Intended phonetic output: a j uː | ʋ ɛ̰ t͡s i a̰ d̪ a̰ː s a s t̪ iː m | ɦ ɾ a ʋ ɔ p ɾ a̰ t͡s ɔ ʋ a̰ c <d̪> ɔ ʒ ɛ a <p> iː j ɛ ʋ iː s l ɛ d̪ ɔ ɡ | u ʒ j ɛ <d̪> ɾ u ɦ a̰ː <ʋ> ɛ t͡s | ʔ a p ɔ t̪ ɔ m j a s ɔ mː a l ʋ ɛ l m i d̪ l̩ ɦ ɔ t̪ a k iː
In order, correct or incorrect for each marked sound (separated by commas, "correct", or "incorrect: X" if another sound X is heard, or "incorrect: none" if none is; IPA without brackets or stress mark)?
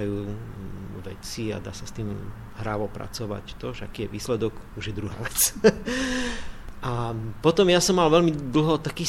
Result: incorrect: t̪, incorrect: k, correct, correct